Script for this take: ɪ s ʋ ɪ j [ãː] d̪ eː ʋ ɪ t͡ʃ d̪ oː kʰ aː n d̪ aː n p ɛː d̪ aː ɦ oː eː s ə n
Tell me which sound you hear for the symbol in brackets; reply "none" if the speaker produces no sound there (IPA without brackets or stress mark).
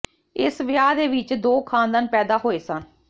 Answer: aː